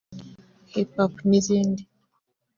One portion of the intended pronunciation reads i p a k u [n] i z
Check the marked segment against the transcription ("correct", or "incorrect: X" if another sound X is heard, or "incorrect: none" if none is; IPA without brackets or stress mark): correct